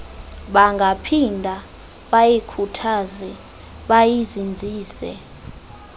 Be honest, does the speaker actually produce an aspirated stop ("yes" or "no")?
yes